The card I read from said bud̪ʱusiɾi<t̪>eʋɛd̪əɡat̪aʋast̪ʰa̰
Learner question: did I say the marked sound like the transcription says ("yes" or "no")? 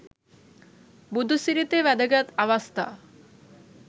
yes